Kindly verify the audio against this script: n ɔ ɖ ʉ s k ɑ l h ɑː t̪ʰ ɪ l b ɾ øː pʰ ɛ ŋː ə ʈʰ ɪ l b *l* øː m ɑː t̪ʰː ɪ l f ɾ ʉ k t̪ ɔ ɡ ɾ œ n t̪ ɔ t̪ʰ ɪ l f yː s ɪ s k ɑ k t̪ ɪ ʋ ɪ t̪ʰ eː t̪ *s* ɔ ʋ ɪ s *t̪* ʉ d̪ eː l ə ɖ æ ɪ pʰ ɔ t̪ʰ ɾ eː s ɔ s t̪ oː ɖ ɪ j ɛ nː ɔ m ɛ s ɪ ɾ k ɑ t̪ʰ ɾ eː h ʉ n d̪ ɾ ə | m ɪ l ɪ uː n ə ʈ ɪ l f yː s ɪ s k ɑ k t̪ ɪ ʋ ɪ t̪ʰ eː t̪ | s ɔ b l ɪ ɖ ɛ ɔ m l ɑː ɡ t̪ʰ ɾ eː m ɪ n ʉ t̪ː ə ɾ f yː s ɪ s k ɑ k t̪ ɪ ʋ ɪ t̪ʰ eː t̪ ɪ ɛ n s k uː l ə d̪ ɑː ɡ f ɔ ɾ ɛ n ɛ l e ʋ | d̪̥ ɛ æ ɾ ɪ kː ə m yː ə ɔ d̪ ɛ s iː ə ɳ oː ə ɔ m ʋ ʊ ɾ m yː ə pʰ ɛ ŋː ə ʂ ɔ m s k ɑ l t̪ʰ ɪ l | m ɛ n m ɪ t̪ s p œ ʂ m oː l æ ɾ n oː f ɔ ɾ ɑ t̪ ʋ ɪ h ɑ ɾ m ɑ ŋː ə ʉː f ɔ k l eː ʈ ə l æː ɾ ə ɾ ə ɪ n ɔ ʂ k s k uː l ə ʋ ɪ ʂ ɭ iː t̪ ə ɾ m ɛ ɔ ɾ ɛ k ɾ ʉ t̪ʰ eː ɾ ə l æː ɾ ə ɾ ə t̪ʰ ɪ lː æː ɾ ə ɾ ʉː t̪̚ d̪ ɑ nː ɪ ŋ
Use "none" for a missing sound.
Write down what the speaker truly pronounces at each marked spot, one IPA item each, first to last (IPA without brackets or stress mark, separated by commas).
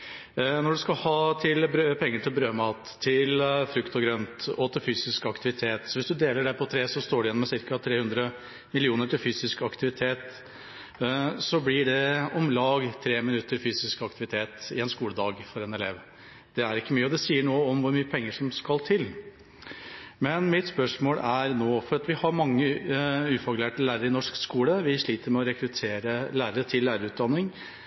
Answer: ɾ, s, d̪